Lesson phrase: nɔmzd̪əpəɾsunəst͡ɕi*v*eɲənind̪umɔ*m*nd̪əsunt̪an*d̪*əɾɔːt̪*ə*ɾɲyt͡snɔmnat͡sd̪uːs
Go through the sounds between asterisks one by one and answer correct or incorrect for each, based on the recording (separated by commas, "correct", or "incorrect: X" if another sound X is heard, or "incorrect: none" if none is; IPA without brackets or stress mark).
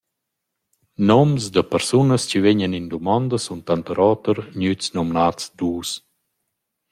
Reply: correct, incorrect: none, incorrect: t̪, correct